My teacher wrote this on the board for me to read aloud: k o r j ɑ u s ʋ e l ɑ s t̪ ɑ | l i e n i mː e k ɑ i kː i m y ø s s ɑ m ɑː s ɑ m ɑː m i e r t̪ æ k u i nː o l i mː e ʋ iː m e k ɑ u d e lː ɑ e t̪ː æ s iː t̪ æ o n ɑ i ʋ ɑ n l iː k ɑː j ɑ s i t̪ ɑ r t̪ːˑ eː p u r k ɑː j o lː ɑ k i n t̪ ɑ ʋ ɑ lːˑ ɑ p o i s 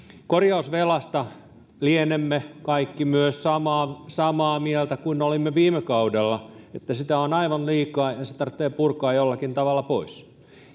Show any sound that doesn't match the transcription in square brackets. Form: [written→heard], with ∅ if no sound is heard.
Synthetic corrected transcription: k o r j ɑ u s ʋ e l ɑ s t̪ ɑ | l i e n [i→e] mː e k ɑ i kː i m y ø s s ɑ m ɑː s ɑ m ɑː m i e [r→l] t̪ æ k u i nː o l i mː e ʋ iː m e k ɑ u d e lː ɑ e t̪ː æ s [iː→i] t̪ æ o n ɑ i ʋ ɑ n l iː k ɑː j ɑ s [i→e] t̪ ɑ r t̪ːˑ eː p u r k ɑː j o lː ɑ k i n t̪ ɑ ʋ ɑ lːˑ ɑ p o i s